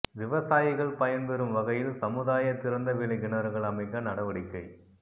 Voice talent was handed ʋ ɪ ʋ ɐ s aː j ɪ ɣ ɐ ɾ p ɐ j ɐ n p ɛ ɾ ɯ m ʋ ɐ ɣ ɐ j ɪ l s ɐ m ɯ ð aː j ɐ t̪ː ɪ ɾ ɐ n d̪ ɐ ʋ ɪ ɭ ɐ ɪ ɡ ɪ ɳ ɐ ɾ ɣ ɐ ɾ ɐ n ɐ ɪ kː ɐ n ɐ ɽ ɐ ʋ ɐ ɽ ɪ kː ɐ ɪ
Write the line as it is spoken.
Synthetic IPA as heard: ʋ ɪ ʋ ɐ s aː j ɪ ɣ ɐ ɭ p ɐ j ɐ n p ɛ ɾ ɯ m ʋ ɐ ɣ ɐ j ɪ l s ɐ m ɯ ð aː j ɐ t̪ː ɪ ɾ ɐ n d̪ ɐ ʋ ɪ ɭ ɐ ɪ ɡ ɪ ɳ ɐ ɾ ɣ ɐ ɭ ɐ m ɐ ɪ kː ɐ n ɐ ɽ ɐ ʋ ɐ ɽ ɪ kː ɐ ɪ